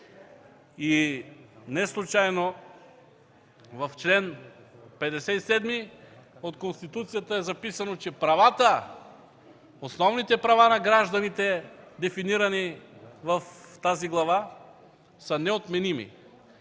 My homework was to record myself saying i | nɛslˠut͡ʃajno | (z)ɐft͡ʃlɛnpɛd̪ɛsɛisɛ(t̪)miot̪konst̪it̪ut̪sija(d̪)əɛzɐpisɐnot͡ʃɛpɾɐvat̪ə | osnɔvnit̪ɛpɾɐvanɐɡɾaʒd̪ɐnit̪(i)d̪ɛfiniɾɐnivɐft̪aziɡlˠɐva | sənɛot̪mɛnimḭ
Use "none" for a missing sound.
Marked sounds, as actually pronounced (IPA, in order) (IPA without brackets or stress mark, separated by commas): v, d̪, t̪, ɛ